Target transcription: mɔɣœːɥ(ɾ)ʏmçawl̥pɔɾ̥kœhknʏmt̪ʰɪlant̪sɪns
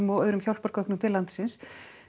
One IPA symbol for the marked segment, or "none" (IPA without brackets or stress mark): ɾ